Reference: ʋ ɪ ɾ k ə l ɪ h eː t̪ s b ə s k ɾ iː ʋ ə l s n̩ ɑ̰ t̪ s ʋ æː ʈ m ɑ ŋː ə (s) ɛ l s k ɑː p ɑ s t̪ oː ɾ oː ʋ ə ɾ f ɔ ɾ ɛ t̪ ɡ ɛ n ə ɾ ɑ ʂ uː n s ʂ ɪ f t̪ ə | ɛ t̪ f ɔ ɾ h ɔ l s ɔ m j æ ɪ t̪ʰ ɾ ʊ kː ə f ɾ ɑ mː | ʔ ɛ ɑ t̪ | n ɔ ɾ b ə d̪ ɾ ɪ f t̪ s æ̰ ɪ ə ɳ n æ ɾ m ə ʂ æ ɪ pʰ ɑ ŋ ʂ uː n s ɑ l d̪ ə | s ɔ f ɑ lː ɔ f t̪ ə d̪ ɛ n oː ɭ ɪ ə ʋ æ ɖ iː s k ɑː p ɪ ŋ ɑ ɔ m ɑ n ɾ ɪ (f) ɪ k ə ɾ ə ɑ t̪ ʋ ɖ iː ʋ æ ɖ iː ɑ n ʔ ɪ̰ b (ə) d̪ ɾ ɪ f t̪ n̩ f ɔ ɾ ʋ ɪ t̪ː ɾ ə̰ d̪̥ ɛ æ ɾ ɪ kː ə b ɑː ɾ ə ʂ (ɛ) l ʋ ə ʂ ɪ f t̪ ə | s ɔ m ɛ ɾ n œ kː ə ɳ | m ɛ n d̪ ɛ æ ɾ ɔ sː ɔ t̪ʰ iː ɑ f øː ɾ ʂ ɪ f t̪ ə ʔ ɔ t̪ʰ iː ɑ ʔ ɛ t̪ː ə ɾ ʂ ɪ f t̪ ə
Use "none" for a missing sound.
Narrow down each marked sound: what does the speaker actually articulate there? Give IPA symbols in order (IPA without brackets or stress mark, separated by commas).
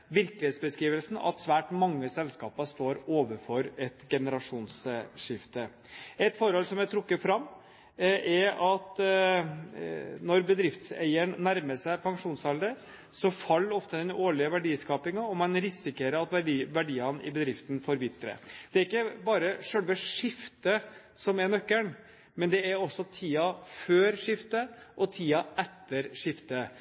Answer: s, s, ə, œ